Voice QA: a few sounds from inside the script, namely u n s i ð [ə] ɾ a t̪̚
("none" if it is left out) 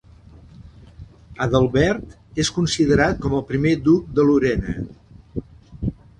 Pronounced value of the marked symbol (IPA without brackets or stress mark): ə